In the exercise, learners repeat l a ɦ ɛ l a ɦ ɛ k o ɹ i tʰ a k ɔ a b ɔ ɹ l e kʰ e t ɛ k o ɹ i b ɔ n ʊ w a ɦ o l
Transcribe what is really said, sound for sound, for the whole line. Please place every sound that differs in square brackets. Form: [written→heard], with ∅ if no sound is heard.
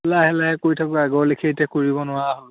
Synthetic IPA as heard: l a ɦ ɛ l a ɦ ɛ k o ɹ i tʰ a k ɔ a [b→ɡ] ɔ ɹ l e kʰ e t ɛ k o ɹ i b ɔ n ʊ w a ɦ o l

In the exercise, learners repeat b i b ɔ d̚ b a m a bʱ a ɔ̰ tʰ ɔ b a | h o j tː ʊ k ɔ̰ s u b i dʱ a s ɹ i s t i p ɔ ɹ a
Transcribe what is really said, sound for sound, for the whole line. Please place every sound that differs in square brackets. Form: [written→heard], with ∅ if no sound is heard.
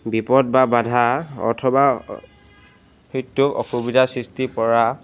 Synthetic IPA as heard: b i [b→p] ɔ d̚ b a [m→b] a [bʱ→dʱ] a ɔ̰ tʰ ɔ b a | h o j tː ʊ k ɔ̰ [s→x] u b i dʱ a s ɹ i s t i p ɔ ɹ a

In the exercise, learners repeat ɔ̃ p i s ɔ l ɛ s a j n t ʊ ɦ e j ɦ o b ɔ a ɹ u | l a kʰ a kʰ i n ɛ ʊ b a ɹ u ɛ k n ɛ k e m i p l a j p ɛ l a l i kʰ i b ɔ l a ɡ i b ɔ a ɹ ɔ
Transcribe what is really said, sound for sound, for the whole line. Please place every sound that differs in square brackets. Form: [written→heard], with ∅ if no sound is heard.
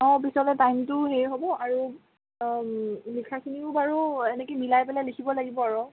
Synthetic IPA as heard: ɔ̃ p i s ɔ l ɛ [s→t] a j [n→m] t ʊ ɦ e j ɦ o b ɔ a ɹ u | l [a→i] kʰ a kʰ i n [ɛ→i] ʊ b a ɹ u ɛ [k→∅] n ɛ k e m i [p→∅] l a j p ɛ l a l i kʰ i b ɔ l a ɡ i b ɔ a ɹ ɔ

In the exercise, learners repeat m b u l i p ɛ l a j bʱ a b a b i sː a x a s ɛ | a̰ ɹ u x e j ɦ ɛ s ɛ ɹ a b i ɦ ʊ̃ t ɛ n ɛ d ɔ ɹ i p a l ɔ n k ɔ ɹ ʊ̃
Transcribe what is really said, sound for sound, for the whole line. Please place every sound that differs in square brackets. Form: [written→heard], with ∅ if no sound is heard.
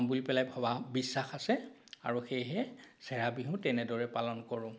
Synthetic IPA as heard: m b u l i p ɛ l a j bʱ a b a b i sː a x a s ɛ | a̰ ɹ u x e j ɦ ɛ s ɛ ɹ a b i ɦ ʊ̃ t ɛ n ɛ d ɔ ɹ [i→ɛ] p a l ɔ n k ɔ ɹ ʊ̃

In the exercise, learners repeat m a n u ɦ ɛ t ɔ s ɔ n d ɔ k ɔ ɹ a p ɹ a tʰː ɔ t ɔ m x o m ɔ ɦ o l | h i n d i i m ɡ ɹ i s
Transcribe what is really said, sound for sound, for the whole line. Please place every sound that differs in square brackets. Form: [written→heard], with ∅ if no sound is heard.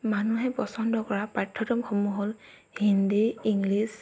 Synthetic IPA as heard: m a n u ɦ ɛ [t→p] ɔ s ɔ n d ɔ k ɔ ɹ a p ɹ a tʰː ɔ t ɔ m x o m [ɔ→u] ɦ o l | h i n d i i [m→ŋ] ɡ [ɹ→l] i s

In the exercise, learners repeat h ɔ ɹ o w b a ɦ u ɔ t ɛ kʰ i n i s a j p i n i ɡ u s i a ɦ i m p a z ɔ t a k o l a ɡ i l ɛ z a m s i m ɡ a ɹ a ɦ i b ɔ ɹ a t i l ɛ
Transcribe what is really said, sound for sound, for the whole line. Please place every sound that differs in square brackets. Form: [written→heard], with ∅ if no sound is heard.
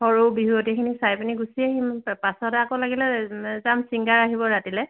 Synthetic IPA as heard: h ɔ ɹ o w b [a→i] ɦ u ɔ t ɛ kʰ i n i s a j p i n i ɡ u s i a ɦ i m p a [z→s] ɔ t a k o l a ɡ i l ɛ z a m s i [m→ŋ] ɡ a ɹ a ɦ i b ɔ ɹ a t i l ɛ

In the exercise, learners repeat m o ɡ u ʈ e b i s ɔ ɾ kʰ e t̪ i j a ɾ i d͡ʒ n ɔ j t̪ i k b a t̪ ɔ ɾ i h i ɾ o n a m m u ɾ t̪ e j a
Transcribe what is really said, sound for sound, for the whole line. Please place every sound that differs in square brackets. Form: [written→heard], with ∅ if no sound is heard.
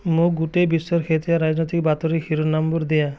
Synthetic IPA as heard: m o ɡ u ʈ e b i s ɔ ɾ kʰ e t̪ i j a ɾ [i→a] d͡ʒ n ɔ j t̪ i k b a t̪ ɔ ɾ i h i ɾ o n a m [m→b] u ɾ [t̪→d̪] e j a

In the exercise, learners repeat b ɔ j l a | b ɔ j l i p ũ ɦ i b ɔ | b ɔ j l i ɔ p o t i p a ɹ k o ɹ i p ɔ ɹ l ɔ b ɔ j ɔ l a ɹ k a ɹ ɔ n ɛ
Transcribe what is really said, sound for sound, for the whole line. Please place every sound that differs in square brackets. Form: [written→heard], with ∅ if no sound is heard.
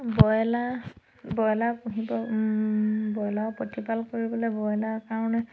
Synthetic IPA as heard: b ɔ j l a | b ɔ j l [i→a] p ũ ɦ i b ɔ | b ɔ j l [i→a] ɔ p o t i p a [ɹ→l] k o ɹ i [p→b] ɔ [ɹ→∅] l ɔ b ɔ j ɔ l a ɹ k a ɹ ɔ n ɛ

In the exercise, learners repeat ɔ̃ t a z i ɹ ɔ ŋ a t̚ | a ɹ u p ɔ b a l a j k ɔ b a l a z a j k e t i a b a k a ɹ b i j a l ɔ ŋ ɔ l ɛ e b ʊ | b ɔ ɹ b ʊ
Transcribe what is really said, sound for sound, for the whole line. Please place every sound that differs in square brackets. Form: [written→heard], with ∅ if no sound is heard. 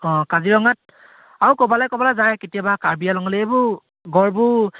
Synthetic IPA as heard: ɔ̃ [t→k] a z i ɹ ɔ ŋ a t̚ | a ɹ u [p→k] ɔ b a l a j k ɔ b a l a z a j k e t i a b a k a ɹ b i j a l ɔ ŋ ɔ l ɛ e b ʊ | [b→ɡ] ɔ ɹ b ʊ

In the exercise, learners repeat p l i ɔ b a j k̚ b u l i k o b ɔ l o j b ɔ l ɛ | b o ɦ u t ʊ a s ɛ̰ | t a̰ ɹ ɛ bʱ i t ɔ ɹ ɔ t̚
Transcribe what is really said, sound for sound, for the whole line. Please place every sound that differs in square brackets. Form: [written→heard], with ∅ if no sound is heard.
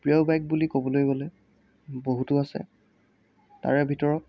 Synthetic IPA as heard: p [l→ɹ] i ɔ b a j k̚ b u l i k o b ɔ l o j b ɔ l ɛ | b o ɦ u t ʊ a s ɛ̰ | t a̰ ɹ ɛ bʱ i t ɔ ɹ ɔ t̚

